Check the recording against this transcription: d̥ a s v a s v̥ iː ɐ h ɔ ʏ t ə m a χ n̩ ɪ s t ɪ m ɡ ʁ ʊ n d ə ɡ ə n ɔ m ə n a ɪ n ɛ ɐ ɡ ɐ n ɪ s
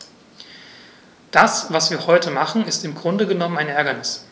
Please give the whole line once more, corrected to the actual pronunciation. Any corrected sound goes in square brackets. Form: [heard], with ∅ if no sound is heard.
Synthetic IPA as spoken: d̥ a s v a s v̥ iː ɐ h ɔ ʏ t ə m a χ n̩ ɪ s t ɪ m ɡ ʁ ʊ n d ə ɡ ə n ɔ m ə n a ɪ n ɛ ɐ ɡ ɐ n ɪ s

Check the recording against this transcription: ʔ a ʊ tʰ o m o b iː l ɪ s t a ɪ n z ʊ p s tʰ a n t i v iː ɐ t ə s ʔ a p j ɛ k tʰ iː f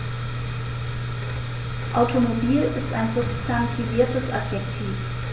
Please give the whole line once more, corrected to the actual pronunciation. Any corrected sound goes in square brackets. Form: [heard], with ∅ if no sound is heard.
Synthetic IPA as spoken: ʔ a ʊ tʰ o m o b iː l ɪ s t a ɪ n z ʊ p s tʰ a n [tʰ] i v iː ɐ t ə s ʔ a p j ɛ k tʰ iː f

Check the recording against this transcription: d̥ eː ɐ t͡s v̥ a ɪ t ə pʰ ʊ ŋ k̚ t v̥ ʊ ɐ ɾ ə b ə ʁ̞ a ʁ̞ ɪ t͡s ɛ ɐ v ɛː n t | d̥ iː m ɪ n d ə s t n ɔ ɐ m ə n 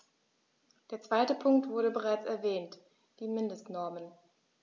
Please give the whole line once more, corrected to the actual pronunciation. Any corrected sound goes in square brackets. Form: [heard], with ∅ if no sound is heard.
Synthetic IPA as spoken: d̥ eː ɐ t͡s v̥ a ɪ t ə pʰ ʊ ŋ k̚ t v̥ ʊ ɐ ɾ ə b ə ʁ̞ a [∅] ɪ t͡s ɛ ɐ v ɛː n t | d̥ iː m ɪ n d ə s t n ɔ ɐ m ə n

